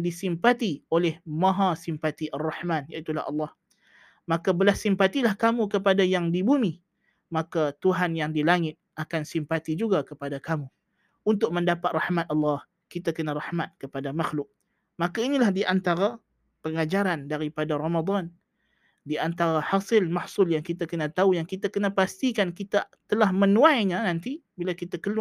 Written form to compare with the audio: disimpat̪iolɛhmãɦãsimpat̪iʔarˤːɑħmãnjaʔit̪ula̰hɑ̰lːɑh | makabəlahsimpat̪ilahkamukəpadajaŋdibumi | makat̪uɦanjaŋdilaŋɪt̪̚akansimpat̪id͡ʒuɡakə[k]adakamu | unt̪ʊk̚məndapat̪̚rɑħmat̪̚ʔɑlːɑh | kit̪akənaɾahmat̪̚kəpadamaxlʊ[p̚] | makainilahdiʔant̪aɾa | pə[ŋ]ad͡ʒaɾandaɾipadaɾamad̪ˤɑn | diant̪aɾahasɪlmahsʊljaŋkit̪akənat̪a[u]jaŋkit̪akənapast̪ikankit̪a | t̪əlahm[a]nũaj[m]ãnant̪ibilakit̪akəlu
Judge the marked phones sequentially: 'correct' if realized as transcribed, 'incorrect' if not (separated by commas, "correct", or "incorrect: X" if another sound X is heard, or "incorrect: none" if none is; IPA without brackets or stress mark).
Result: incorrect: p, incorrect: k̚, correct, correct, incorrect: ə, incorrect: ɲ